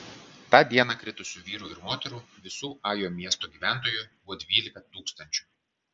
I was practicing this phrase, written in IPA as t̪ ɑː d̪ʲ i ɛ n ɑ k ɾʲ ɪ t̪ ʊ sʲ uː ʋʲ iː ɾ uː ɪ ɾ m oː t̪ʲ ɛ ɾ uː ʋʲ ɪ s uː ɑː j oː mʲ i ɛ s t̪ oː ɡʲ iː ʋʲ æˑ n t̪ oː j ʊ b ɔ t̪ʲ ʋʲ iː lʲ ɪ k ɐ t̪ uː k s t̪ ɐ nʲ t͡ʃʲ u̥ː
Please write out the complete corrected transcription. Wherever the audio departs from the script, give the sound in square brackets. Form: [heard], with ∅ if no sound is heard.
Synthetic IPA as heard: t̪ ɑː d̪ʲ i ɛ n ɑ k ɾʲ ɪ t̪ ʊ sʲ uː ʋʲ iː ɾ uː ɪ ɾ m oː t̪ʲ ɛ ɾ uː ʋʲ ɪ s uː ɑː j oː mʲ i ɛ s t̪ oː ɡʲ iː ʋʲ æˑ n t̪ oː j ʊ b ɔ [d̪ʲ] ʋʲ iː lʲ ɪ k ɐ t̪ uː k s t̪ ɐ nʲ t͡ʃʲ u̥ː